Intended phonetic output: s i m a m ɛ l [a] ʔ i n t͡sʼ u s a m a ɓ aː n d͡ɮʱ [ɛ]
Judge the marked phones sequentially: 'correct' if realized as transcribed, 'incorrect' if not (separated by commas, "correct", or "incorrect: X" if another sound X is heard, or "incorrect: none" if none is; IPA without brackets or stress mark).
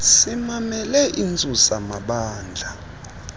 incorrect: ɛ, incorrect: a